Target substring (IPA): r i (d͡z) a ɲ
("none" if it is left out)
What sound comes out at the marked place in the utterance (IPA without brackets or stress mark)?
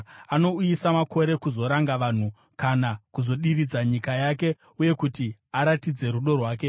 d͡z